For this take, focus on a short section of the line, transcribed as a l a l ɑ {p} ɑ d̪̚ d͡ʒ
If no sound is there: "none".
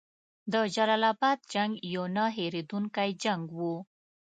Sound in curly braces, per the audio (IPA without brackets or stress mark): b